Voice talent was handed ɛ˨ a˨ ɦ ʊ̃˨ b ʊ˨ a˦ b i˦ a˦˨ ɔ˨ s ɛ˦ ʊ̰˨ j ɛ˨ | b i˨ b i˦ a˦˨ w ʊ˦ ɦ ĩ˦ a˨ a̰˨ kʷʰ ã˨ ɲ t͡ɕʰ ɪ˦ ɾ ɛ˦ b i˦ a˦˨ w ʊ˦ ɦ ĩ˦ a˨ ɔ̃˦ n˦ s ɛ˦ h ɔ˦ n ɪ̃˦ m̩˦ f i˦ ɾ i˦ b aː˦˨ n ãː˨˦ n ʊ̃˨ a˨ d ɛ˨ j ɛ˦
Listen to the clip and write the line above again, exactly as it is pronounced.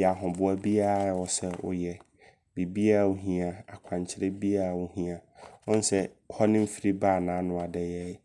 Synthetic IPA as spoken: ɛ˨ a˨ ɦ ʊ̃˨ b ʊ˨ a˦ b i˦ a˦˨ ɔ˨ s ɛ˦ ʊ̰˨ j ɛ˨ | b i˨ b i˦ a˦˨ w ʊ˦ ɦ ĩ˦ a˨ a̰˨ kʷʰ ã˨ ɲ t͡ɕʰ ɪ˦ ɾ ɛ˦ b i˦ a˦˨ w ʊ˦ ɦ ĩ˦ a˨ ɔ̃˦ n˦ s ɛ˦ h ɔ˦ n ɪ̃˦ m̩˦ f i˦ ɾ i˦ b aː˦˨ n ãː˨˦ n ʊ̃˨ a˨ d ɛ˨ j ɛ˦

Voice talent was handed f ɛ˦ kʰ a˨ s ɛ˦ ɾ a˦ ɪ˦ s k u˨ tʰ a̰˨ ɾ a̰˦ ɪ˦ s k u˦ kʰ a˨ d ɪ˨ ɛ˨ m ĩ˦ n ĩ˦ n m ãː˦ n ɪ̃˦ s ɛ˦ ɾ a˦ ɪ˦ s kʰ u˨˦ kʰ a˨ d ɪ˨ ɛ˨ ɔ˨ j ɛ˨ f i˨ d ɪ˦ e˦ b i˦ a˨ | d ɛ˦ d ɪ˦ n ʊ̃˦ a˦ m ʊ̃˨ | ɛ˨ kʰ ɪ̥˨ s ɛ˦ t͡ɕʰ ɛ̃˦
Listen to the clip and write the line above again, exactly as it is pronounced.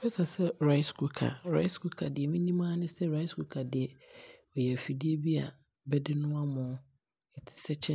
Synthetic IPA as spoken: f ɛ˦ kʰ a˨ s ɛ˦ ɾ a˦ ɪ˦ s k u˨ kʰ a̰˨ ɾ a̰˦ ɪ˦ s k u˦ kʰ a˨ d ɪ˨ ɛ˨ m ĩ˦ n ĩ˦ m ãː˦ n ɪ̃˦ s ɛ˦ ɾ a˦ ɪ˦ s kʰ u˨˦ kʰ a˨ d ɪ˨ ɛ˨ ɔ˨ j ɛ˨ f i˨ d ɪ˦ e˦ b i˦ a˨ | b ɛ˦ d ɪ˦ n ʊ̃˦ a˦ m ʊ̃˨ | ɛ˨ tʰ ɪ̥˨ s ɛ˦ t͡ɕʰ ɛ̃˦

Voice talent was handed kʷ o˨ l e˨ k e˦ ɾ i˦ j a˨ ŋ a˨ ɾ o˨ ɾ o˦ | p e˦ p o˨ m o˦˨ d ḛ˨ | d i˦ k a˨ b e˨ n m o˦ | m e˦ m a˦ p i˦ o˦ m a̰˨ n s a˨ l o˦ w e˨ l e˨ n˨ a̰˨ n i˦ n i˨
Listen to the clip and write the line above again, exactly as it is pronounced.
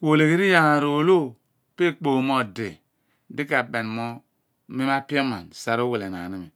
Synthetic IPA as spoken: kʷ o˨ l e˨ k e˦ ɾ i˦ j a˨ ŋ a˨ ɾ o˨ l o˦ | p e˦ k͡p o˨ m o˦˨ d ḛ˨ | d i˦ k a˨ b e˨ n m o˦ | m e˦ m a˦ p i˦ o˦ m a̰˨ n s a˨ ɾ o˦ w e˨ l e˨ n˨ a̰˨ n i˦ m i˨

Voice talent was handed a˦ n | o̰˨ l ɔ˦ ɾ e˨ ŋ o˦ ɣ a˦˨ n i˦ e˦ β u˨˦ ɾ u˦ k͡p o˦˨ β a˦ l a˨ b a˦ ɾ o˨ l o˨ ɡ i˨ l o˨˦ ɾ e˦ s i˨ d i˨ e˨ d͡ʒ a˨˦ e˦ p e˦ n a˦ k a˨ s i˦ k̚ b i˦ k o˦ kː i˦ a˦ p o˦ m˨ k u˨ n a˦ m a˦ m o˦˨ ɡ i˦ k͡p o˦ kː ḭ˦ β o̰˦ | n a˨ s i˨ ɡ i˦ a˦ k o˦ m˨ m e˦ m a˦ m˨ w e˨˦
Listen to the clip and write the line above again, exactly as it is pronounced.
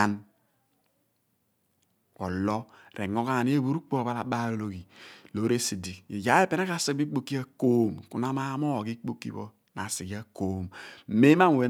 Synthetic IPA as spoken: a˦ n | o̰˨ l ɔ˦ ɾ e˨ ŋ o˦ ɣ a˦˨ n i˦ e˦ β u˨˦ ɾ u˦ k͡p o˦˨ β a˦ l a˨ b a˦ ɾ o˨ l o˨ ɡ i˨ l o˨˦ ɾ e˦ s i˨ d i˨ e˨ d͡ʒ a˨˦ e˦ p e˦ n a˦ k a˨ s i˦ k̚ b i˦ k͡p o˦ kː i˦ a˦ k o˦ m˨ k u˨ n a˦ m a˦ m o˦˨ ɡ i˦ k͡p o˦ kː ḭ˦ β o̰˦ | n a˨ s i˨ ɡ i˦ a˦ k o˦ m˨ m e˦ m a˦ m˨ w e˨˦

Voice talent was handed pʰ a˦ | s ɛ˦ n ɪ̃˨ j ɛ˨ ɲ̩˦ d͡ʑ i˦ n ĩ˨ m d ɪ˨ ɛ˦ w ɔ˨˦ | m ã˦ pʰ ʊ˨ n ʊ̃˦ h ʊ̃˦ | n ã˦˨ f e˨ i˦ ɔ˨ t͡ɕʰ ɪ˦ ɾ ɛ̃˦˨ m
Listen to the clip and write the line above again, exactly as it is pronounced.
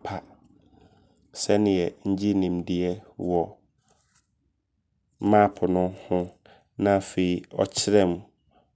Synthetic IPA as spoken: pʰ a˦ | s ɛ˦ n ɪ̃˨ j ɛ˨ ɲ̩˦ d͡ʑ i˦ n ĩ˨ m d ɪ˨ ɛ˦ w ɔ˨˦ | m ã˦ pʰ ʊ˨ n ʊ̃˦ h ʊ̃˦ | n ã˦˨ f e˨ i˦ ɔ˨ t͡ɕʰ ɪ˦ ɾ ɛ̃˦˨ m

